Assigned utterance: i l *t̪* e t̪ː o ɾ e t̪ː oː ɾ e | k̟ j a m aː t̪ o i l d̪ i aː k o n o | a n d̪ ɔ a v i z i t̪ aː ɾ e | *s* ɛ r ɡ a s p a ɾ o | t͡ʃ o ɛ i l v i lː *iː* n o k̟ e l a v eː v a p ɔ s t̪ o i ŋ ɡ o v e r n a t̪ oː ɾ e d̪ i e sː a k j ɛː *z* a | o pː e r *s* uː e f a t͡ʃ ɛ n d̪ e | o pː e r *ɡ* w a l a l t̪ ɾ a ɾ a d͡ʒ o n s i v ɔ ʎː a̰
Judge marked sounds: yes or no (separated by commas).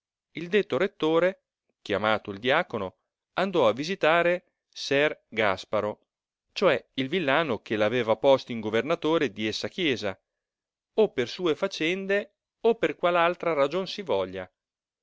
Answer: no, yes, no, yes, yes, no